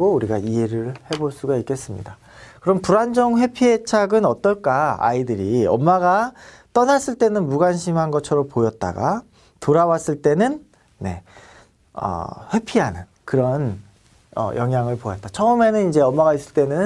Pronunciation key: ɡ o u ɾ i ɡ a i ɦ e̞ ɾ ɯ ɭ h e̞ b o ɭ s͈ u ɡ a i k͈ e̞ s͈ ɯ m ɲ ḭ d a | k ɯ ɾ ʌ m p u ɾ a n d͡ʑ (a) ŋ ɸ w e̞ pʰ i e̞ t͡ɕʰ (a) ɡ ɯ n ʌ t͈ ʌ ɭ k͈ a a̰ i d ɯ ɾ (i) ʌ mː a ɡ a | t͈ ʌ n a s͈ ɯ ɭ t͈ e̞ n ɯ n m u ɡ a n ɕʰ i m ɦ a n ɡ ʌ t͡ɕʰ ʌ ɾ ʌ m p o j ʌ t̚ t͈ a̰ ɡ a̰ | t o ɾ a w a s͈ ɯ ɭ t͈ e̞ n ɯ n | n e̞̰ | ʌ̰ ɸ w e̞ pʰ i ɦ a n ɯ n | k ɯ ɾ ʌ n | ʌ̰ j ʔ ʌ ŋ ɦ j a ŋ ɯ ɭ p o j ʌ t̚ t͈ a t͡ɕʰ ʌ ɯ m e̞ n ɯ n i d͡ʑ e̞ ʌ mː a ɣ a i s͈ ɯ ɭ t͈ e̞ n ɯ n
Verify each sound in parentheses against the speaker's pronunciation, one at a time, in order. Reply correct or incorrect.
incorrect, correct, correct

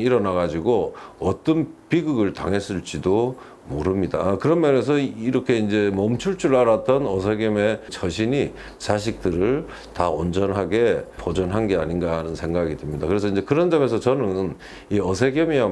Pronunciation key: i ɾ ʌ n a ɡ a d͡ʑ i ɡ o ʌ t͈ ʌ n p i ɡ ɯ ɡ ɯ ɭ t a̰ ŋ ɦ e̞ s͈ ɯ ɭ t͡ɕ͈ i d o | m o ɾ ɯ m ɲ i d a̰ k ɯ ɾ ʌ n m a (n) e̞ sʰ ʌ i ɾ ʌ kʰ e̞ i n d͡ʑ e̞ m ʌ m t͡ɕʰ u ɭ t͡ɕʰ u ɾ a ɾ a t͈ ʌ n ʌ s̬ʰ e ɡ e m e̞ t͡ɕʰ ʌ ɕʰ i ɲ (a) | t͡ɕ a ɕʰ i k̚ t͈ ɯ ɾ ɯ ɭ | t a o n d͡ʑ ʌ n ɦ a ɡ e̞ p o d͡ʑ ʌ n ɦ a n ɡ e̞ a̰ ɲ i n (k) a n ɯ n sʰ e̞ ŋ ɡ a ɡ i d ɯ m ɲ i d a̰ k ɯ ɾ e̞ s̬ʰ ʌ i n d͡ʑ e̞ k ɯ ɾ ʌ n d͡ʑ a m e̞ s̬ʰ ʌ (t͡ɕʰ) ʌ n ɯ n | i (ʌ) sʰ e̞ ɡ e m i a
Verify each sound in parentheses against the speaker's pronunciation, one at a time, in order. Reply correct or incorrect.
correct, incorrect, incorrect, incorrect, correct

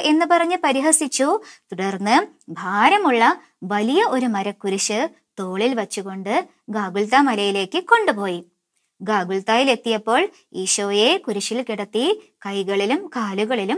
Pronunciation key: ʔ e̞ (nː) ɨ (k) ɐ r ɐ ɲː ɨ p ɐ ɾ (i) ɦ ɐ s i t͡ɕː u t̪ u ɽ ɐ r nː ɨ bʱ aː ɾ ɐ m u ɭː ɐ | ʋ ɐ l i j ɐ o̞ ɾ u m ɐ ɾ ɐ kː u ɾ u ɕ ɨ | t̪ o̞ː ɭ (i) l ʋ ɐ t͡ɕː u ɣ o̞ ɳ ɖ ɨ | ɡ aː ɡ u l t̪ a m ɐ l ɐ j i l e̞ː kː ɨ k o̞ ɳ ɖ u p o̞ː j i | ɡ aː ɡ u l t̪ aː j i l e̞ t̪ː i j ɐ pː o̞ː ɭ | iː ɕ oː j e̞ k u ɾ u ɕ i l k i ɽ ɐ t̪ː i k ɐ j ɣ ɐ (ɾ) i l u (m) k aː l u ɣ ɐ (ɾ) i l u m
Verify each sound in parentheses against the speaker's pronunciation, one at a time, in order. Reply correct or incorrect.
correct, incorrect, correct, correct, incorrect, correct, incorrect

